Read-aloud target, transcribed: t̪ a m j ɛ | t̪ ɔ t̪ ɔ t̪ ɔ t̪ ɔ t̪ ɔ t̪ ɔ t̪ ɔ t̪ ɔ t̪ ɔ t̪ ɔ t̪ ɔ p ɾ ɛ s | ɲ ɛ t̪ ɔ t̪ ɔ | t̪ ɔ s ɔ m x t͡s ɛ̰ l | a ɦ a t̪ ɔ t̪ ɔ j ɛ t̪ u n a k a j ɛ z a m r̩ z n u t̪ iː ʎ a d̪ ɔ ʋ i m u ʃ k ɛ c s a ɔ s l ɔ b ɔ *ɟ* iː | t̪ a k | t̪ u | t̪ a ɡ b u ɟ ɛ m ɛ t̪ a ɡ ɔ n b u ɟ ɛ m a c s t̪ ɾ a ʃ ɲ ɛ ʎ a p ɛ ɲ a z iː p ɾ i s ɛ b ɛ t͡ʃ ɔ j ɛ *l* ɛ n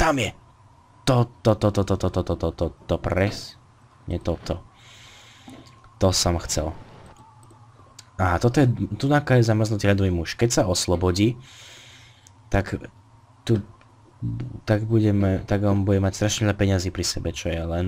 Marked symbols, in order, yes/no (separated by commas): yes, yes